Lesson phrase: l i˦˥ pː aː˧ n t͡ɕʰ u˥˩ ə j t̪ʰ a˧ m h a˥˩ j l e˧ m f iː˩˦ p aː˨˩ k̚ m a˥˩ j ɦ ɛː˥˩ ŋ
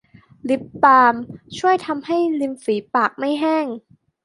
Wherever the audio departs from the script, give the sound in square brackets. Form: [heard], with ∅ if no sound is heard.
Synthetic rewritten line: l i˦˥ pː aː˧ [m] t͡ɕʰ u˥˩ ə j t̪ʰ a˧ m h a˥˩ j l [i˧] m f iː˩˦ p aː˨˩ k̚ m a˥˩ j ɦ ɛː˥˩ ŋ